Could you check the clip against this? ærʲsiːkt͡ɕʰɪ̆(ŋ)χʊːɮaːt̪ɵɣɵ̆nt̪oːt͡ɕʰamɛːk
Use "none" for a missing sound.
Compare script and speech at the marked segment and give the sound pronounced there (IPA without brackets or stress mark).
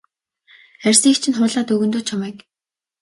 n